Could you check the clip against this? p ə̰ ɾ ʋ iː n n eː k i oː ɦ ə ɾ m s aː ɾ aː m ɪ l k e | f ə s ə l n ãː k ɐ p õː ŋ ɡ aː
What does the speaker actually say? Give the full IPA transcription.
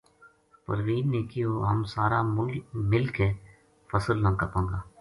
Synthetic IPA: p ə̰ ɾ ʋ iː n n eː k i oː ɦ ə m s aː ɾ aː m ɪ l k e | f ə s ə l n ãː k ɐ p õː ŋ ɡ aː